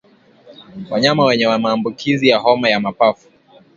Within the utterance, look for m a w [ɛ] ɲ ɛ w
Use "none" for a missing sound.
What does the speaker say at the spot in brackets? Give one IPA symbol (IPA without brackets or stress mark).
ɛ